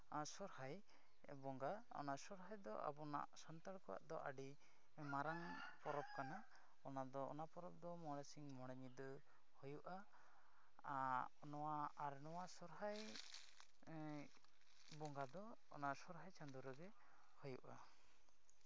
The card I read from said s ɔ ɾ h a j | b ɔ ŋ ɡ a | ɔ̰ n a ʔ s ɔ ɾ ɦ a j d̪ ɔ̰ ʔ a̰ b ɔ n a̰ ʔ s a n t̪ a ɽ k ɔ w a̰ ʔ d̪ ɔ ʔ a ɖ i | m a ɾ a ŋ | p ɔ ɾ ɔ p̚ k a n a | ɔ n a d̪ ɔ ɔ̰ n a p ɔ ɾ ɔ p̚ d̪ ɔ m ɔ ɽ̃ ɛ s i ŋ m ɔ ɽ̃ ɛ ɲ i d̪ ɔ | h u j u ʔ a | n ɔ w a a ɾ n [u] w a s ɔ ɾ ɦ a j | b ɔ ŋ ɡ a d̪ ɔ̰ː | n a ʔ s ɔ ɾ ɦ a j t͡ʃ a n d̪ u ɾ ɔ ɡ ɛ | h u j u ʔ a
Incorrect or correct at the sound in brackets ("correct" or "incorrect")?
incorrect